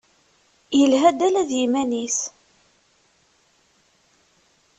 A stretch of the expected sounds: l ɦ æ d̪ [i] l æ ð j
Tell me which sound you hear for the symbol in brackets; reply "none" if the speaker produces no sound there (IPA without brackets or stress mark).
æ